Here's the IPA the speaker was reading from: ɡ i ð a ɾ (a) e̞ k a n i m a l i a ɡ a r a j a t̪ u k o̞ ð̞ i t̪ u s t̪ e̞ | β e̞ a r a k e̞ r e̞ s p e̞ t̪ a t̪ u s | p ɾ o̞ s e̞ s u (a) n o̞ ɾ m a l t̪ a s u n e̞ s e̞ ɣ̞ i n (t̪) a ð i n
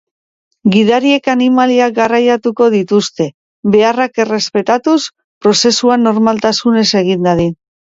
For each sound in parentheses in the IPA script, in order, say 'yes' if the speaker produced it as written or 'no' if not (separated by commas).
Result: no, yes, no